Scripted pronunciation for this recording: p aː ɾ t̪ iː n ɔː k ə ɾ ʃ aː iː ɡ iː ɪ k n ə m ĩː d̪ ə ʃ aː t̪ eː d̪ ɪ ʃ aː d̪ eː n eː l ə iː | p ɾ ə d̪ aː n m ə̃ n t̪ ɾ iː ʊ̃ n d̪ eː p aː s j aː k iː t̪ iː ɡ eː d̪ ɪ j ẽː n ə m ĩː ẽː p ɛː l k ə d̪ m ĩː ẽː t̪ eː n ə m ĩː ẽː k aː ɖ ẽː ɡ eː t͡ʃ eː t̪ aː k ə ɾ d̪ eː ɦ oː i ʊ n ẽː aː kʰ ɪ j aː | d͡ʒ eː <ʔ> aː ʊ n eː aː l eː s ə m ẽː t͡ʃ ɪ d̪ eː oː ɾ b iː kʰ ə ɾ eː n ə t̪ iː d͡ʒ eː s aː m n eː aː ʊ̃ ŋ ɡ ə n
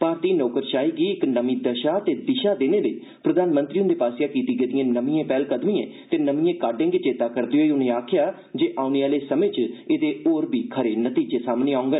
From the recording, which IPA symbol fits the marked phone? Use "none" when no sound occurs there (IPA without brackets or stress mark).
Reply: ʔ